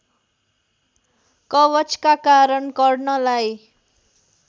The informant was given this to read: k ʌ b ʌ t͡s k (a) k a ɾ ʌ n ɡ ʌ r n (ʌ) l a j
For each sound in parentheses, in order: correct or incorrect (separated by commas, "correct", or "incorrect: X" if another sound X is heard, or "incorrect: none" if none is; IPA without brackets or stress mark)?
correct, correct